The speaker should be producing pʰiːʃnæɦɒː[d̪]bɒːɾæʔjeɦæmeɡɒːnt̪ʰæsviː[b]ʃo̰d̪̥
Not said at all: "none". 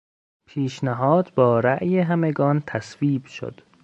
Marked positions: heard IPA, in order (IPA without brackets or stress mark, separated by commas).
d̪, b